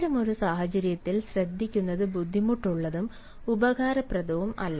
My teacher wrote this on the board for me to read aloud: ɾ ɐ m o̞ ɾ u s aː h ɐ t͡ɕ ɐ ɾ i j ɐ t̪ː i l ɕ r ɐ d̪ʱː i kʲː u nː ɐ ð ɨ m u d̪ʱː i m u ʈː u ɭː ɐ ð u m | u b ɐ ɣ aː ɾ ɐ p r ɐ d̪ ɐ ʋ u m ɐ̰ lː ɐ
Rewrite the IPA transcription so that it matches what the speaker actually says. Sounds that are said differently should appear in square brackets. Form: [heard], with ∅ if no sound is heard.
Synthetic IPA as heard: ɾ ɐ m o̞ ɾ u s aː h ɐ t͡ɕ ɐ ɾ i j ɐ t̪ː i l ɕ r ɐ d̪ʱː i kʲː u nː ɐ ð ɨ [b] u d̪ʱː i m u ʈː u ɭː ɐ ð u m | u b ɐ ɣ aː ɾ ɐ p r ɐ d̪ ɐ ʋ u m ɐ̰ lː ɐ